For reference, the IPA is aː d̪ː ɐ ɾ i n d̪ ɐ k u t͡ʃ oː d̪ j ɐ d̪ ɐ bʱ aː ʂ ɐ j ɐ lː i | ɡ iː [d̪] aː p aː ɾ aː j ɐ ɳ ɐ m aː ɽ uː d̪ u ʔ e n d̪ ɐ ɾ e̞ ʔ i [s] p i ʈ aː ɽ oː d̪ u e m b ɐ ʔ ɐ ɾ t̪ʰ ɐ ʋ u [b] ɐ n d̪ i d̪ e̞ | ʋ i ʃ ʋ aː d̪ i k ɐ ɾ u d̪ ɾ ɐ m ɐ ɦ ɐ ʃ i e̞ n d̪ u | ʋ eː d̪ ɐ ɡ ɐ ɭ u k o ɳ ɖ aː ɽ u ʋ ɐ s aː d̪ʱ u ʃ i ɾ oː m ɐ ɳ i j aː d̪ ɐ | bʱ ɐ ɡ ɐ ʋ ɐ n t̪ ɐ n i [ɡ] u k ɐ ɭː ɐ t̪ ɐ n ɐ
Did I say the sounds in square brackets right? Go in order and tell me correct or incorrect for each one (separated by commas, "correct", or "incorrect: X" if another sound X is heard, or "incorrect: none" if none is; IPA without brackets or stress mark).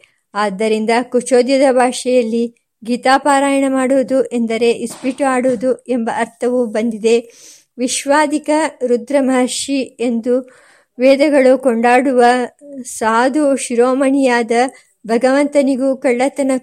incorrect: t̪, correct, correct, correct